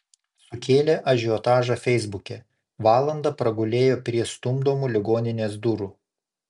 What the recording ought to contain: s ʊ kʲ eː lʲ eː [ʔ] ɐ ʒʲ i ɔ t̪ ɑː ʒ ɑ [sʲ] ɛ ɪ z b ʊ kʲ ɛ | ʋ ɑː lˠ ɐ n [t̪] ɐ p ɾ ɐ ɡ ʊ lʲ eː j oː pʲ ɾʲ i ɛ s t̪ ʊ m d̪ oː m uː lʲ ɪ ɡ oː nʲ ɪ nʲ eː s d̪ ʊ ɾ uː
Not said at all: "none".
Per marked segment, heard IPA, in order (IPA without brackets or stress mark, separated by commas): ʔ, fʲ, d̪